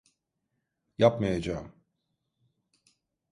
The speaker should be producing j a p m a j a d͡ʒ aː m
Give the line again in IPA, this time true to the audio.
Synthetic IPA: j a p m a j a d͡ʒ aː m